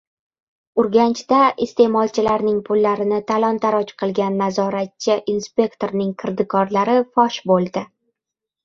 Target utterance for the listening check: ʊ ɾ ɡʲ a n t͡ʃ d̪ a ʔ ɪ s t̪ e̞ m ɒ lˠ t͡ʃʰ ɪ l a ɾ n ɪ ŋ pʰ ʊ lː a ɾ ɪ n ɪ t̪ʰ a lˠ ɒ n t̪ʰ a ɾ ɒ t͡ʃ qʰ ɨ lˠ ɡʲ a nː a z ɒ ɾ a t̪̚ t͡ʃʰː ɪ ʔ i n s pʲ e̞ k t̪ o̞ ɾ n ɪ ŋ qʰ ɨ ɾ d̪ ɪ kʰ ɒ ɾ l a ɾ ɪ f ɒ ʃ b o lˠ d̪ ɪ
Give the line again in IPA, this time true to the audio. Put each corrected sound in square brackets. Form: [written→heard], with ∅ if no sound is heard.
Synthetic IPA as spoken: ʊ ɾ ɡʲ a n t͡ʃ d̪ a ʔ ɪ s t̪ e̞ m ɒ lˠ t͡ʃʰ ɪ l a ɾ n ɪ ŋ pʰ ʊ lː a ɾ ɪ n ɪ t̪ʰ a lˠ ɒ n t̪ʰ a ɾ ɒ t͡ʃ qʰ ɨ lˠ ɡʲ a nː a z ɒ ɾ a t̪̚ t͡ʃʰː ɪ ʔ i n s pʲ e̞ k t̪ o̞ ɾ n ɪ ŋ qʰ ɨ ɾ d̪ ɪ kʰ ɒ ɾ l a ɾ ɪ f ɒ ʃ b o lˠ d̪ ɪ

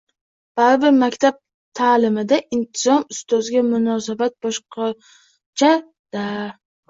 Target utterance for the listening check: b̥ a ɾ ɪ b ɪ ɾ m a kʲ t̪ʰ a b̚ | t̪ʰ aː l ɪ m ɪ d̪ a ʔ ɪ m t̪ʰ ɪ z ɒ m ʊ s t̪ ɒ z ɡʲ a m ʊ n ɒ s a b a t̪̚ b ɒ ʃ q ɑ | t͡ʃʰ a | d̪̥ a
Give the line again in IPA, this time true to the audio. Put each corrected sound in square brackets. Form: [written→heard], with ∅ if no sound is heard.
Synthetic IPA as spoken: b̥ a ɾ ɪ b ɪ ɾ m a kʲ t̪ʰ a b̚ | t̪ʰ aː l ɪ m ɪ d̪ a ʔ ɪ [m→n] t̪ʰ ɪ z ɒ m ʊ s t̪ ɒ z ɡʲ a m ʊ n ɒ s a b a t̪̚ b ɒ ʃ q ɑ | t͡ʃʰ a | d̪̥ a

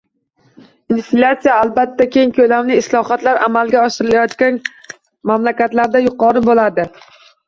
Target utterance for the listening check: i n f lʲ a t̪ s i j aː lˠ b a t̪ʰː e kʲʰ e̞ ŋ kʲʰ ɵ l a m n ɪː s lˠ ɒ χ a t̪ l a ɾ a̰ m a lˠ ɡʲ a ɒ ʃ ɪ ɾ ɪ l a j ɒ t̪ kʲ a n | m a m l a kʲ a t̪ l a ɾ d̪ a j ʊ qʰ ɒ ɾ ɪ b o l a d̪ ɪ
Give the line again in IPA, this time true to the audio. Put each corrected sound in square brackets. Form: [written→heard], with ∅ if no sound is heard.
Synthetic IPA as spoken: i n f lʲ a t̪ s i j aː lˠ b a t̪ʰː [e→a] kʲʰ e̞ ŋ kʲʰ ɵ l a m n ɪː s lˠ ɒ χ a t̪ l a ɾ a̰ m a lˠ ɡʲ a ɒ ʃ ɪ ɾ ɪ l a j ɒ t̪ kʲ a n | m a m l a kʲ a t̪ l a ɾ d̪ a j ʊ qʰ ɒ ɾ ɪ b o l a d̪ ɪ

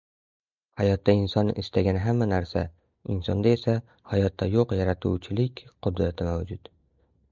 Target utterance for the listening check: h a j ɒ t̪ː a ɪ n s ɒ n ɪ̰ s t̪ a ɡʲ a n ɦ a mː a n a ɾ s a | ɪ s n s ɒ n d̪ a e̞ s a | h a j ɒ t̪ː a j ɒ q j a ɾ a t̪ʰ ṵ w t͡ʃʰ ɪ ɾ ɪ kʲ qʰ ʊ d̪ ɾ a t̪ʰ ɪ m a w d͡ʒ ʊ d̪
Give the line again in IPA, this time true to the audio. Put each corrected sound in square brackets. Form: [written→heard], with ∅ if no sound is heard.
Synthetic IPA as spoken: h a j ɒ t̪ː a ɪ n s ɒ n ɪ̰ s t̪ a ɡʲ a n ɦ a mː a n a ɾ s a | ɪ [s→∅] n s ɒ n d̪ a e̞ s a | h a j ɒ t̪ː a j [ɒ→o] q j a ɾ a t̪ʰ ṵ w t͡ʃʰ ɪ [ɾ→l] ɪ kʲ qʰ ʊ d̪ ɾ a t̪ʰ ɪ m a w d͡ʒ ʊ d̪

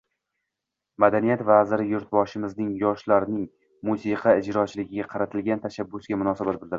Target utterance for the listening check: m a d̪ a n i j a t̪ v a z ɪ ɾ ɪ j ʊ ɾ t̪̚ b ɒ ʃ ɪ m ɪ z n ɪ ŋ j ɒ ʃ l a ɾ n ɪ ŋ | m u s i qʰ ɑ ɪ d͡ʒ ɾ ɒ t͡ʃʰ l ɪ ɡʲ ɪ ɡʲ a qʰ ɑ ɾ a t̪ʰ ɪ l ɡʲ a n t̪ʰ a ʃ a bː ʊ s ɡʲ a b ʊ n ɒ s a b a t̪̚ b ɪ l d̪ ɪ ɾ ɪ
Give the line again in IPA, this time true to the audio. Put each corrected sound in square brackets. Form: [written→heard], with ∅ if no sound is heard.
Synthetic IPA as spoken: m a d̪ a n i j a t̪ v a z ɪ ɾ ɪ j ʊ ɾ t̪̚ b ɒ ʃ ɪ m ɪ z n ɪ ŋ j ɒ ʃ l a ɾ n ɪ ŋ | m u s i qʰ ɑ ɪ d͡ʒ ɾ ɒ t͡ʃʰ l ɪ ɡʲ ɪ ɡʲ a qʰ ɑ ɾ a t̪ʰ ɪ l ɡʲ a n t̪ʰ a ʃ a bː ʊ s ɡʲ a [b→m] ʊ n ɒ s a b a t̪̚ b ɪ l d̪ ɪ ɾ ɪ

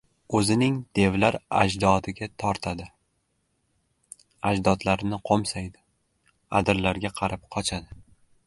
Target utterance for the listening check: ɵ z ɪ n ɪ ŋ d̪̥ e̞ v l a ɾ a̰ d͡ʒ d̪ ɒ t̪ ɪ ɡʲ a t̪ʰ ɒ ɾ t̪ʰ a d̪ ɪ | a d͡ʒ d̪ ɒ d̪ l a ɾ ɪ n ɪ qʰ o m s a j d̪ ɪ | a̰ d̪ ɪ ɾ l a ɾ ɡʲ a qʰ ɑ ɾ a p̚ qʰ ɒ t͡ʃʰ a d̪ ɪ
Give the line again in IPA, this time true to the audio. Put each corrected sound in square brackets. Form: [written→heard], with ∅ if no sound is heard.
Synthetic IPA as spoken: ɵ z ɪ n ɪ ŋ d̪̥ e̞ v l a ɾ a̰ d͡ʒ d̪ ɒ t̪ ɪ ɡʲ a t̪ʰ ɒ ɾ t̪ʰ a d̪ ɪ | a d͡ʒ d̪ ɒ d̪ l a ɾ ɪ n ɪ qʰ o m s a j d̪ ɪ | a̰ d̪ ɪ ɾ l a ɾ ɡʲ a qʰ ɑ ɾ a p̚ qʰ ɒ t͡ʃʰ a d̪ ɪ

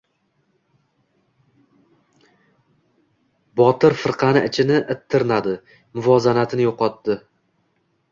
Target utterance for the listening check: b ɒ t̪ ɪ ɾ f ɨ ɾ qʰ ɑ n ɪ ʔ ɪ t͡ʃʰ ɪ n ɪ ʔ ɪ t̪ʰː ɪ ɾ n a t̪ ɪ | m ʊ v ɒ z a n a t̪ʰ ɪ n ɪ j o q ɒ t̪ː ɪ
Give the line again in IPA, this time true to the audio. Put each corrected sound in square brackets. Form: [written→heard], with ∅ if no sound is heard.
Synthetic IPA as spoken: b ɒ t̪ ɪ ɾ f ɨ ɾ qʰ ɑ n ɪ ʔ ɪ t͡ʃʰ ɪ n ɪ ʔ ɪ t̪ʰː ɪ ɾ n a [t̪→d̪] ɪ | m ʊ v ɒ z a n a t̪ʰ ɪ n ɪ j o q ɒ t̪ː ɪ

